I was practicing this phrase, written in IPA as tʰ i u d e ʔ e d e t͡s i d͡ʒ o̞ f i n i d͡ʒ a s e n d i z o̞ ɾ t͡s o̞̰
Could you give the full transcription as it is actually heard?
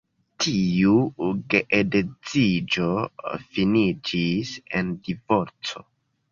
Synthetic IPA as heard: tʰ i u ɡ e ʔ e d e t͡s i d͡ʒ o̞ f i n i d͡ʒ i s e n d i v o̞ ɾ t͡s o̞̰